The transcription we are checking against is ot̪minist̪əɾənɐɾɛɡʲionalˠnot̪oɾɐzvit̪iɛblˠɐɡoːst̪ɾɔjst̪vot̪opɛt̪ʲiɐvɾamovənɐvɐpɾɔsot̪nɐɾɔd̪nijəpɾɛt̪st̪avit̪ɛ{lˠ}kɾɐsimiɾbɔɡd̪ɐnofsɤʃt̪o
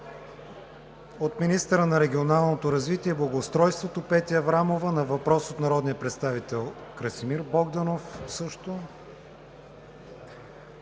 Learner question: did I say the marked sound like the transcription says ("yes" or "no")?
yes